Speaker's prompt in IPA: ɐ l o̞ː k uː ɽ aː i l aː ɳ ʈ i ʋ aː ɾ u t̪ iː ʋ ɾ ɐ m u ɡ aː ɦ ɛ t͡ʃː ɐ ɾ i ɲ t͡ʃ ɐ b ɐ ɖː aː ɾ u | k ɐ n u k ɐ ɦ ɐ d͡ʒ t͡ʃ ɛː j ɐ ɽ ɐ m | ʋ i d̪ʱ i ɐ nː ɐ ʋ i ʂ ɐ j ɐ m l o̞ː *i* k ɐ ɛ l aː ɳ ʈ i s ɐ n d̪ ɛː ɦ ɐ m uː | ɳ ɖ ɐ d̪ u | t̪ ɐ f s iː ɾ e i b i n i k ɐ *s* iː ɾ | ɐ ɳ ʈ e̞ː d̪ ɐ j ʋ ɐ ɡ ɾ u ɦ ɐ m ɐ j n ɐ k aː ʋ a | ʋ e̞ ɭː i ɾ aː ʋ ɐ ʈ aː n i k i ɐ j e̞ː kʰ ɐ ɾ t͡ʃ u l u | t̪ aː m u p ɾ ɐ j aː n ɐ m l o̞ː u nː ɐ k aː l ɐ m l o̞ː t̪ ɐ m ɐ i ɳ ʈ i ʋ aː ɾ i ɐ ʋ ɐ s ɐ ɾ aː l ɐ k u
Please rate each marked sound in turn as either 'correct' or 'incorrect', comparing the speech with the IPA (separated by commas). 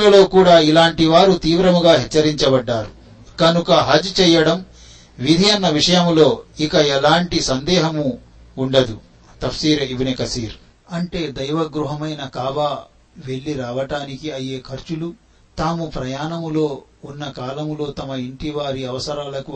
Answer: correct, correct